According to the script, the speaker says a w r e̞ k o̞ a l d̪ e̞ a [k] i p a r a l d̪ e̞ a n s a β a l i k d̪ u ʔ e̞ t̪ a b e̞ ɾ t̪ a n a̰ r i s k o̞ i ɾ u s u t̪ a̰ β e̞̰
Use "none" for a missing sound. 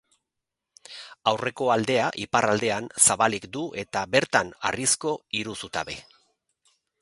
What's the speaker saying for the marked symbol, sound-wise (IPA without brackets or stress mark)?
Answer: ʔ